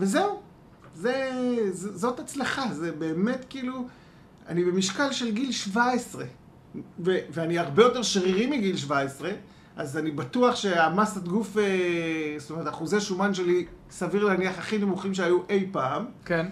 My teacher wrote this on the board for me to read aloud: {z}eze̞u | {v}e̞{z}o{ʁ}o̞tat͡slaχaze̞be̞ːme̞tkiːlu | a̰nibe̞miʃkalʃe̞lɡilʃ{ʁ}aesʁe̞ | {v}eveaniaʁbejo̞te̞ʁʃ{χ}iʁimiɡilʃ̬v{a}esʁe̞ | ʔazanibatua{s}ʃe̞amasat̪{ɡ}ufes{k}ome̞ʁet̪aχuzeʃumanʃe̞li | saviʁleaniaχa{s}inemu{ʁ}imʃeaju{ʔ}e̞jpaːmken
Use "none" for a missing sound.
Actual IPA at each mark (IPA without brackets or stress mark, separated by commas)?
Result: v, z, z, z, v, v, ʁ, a, χ, ɡ, t, χ, χ, ʔ